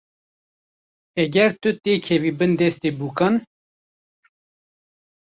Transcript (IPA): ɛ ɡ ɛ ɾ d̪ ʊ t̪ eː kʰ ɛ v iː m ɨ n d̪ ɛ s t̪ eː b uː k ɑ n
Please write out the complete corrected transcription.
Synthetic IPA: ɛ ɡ ɛ ɾ t̪ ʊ t̪ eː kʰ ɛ v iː b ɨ n d̪ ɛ s t̪ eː b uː k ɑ n